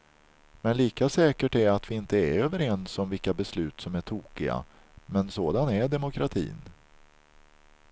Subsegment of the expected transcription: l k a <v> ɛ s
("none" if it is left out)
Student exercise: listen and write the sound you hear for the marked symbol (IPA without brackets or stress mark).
b